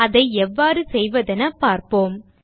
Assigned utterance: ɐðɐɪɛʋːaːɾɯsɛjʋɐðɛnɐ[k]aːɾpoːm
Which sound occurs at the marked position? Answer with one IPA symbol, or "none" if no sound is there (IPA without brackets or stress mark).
p